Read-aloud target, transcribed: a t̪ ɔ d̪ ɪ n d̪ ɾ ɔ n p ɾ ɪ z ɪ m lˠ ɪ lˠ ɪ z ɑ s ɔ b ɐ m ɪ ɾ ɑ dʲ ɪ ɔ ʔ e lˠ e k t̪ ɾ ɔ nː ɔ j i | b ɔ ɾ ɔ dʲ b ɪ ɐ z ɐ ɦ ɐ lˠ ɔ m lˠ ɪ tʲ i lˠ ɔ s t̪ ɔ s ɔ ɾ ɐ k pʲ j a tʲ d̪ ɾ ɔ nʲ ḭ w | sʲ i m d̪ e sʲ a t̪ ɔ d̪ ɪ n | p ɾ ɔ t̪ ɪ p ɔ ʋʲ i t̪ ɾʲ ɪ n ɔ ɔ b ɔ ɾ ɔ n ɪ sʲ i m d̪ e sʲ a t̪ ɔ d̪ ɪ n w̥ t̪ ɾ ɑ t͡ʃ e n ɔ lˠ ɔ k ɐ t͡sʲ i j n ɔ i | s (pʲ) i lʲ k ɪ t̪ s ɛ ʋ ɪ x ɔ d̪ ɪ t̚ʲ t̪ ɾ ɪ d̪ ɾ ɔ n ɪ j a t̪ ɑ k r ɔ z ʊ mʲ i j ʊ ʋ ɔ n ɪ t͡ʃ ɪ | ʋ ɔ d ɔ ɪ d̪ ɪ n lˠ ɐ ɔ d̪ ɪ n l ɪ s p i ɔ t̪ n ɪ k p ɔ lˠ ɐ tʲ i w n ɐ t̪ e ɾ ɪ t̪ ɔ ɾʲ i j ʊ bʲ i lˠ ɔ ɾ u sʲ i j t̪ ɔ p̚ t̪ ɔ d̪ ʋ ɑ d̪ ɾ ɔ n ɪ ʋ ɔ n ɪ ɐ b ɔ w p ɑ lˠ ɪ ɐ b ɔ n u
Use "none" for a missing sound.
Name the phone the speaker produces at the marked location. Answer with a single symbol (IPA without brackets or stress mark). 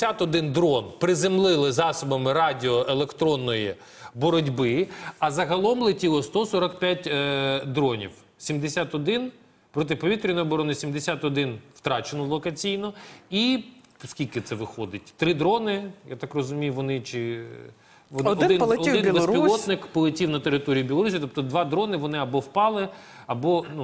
kʲ